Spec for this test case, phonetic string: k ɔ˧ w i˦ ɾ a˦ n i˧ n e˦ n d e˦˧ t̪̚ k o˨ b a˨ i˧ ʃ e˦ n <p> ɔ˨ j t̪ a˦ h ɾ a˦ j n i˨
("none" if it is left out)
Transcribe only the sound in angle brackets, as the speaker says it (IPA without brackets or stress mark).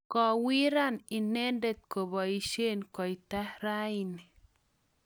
k